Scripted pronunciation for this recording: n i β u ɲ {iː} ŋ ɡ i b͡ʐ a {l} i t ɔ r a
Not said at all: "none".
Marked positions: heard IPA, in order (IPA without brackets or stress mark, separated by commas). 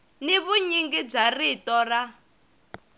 i, r